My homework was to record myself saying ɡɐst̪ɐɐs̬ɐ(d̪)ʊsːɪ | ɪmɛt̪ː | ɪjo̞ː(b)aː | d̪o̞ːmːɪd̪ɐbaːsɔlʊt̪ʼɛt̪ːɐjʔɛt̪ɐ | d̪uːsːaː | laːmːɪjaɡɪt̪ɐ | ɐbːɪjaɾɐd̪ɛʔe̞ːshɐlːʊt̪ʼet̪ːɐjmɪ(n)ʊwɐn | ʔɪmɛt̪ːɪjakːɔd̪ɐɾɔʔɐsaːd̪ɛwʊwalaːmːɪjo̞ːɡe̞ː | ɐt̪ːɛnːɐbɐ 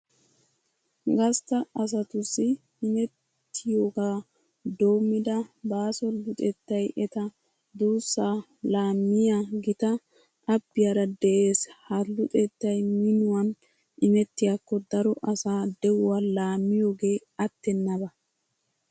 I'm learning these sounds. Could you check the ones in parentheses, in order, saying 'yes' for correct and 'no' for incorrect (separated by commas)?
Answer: no, no, yes